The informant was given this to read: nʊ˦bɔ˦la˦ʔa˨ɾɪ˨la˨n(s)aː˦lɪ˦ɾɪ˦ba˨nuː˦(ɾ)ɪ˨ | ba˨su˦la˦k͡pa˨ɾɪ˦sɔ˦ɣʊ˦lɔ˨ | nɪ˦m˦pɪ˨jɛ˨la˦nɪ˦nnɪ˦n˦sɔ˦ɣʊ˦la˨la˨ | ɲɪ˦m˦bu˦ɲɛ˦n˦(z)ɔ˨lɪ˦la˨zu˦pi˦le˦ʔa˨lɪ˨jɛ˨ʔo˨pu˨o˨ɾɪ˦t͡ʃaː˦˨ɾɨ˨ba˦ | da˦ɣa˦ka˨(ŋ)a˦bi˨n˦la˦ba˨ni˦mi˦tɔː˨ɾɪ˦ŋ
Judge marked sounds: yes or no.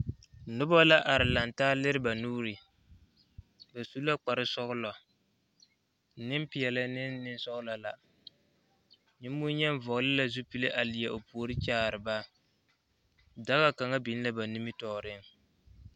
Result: no, yes, no, yes

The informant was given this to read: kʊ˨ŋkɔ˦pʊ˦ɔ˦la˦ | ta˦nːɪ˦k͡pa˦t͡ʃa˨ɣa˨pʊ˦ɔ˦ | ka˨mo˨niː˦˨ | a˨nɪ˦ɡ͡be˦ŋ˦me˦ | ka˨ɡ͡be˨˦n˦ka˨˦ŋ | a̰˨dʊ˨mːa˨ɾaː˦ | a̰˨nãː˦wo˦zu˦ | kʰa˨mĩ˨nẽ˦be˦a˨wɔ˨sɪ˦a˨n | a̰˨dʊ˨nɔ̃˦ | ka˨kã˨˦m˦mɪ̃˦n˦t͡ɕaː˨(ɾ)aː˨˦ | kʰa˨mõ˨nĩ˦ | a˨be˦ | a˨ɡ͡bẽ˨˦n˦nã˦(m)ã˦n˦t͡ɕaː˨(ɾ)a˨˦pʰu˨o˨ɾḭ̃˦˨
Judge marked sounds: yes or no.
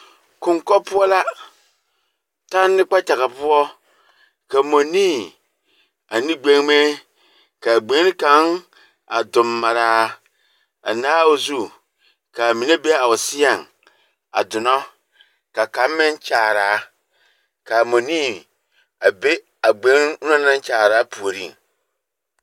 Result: yes, no, yes

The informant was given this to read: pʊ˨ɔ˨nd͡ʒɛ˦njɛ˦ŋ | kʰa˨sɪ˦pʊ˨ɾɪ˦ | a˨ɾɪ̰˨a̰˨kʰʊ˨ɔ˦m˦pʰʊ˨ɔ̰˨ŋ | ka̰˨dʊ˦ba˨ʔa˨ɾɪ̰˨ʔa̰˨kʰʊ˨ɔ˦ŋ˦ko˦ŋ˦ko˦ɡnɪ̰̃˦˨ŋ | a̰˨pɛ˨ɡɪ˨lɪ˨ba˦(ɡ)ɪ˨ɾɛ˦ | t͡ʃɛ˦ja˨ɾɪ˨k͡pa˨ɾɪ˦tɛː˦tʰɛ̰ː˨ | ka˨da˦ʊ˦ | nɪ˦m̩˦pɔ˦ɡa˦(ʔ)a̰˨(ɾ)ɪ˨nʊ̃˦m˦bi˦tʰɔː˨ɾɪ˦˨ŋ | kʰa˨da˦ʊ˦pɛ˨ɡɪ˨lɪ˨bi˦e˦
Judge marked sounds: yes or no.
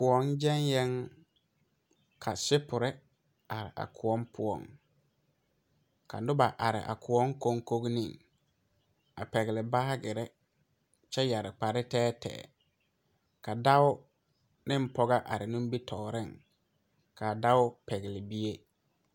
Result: yes, yes, yes

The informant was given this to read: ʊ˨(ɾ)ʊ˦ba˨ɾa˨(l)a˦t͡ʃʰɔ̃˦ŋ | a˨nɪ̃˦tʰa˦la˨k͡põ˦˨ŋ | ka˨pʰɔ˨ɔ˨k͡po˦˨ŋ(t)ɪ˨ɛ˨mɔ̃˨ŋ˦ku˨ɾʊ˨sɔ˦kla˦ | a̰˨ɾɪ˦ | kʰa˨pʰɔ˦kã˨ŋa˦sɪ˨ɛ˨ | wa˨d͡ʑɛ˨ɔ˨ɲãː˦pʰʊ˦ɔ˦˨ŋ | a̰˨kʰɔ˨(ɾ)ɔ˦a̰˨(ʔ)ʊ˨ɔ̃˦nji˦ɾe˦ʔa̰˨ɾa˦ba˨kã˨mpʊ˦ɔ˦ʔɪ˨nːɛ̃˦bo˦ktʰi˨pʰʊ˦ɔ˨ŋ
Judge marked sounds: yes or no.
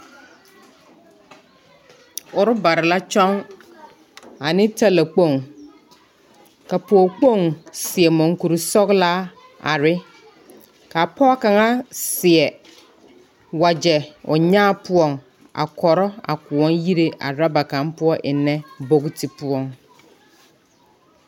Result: yes, yes, no, yes, no

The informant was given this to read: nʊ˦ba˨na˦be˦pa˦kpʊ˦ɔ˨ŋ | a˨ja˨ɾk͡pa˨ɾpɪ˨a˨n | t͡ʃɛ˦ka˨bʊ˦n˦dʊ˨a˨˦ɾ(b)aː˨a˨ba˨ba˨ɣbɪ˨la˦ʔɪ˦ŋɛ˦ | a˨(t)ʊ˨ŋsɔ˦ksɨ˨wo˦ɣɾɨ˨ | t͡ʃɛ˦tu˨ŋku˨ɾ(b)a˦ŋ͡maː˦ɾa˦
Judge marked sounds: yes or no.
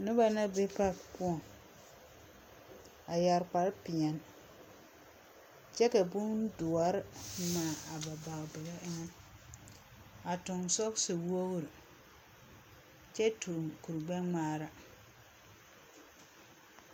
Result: no, yes, no

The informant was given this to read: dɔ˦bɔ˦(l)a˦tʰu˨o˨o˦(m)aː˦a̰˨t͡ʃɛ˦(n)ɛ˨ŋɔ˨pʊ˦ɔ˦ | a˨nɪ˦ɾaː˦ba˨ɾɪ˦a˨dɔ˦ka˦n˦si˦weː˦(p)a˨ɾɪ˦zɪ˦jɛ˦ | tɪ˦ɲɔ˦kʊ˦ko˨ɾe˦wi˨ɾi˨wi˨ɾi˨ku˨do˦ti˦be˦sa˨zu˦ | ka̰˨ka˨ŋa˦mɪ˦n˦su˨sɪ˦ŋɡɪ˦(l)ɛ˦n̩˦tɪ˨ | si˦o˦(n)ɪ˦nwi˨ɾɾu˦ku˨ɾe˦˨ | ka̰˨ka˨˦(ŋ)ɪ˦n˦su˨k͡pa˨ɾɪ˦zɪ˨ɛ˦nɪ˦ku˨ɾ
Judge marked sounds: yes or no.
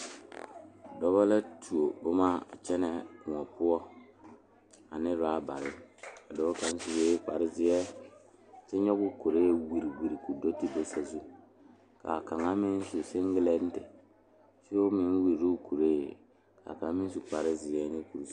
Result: yes, yes, yes, no, yes, no, no

